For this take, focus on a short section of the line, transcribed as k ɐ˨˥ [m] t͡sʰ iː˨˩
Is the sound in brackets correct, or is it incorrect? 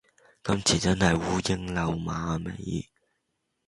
correct